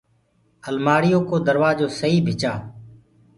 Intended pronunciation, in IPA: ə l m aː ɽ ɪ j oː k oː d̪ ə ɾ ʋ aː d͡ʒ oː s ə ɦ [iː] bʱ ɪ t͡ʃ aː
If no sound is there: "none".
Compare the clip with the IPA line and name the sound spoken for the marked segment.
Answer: iː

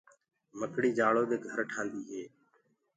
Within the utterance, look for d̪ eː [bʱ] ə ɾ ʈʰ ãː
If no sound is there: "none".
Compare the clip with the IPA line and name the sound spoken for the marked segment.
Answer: ɡʱ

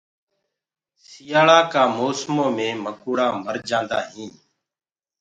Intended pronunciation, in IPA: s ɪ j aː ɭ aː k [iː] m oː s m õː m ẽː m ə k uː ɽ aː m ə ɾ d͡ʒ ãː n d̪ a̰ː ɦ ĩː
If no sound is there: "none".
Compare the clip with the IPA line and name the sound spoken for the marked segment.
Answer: aː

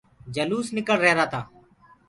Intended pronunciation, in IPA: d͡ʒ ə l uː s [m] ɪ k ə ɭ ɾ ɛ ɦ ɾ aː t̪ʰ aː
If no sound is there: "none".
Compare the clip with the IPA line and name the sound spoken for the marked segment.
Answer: n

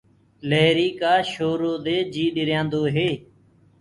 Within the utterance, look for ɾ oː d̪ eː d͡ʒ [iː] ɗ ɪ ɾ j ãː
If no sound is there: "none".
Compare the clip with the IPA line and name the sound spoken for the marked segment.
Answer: iː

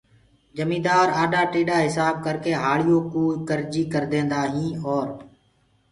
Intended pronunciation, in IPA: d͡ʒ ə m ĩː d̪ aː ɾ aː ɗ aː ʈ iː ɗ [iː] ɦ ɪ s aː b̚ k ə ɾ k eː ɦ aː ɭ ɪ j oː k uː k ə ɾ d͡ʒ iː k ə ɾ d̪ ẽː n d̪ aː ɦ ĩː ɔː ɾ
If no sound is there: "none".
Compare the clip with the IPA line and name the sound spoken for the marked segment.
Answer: aː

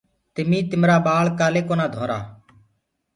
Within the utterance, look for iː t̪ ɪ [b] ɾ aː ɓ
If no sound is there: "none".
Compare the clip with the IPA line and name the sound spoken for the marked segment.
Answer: m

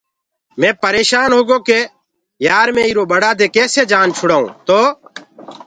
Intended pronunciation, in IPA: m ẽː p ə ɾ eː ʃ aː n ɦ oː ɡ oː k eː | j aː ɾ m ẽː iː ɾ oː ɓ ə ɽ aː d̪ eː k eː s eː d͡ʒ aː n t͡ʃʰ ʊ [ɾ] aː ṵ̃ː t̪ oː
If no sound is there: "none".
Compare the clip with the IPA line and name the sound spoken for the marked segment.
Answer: ɽ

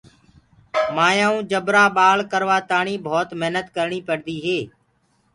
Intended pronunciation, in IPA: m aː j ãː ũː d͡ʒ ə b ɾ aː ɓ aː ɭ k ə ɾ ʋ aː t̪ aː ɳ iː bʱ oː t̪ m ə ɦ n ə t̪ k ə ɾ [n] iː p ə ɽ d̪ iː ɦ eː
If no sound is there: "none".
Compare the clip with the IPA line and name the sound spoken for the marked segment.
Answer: ɳ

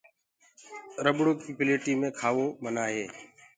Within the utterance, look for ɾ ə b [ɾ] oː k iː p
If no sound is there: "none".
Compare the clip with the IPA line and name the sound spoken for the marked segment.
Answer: ɽ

